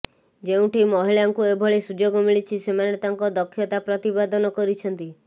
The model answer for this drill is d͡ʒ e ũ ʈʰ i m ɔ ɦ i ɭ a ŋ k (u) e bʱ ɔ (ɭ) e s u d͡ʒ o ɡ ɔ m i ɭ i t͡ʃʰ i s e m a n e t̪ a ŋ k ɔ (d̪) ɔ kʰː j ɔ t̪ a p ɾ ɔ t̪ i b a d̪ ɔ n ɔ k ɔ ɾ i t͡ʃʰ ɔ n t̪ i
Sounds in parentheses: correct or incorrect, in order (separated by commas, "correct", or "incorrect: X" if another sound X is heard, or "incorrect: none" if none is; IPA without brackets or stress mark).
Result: correct, correct, correct